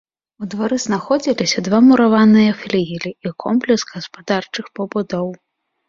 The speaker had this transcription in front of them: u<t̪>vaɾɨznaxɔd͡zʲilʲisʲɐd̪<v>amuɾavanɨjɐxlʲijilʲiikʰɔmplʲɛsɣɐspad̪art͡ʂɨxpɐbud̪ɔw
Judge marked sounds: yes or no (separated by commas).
no, yes